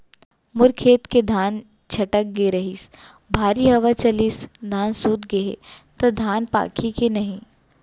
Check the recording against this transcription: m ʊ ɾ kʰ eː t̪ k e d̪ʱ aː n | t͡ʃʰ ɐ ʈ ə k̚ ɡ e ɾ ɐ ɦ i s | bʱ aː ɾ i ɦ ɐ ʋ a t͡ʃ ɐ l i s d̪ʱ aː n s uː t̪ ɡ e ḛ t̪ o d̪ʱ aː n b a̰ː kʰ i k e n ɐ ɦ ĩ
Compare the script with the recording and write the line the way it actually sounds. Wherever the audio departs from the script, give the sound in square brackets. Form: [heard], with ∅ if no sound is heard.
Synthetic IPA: m ʊ ɾ kʰ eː t̪ k e d̪ʱ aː n | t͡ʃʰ ɐ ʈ ə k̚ ɡ e ɾ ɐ ɦ i s | bʱ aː ɾ i ɦ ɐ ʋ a t͡ʃ ɐ l i s d̪ʱ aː n s uː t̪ ɡ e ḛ t̪ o d̪ʱ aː n [p] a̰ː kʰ i k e n ɐ ɦ ĩ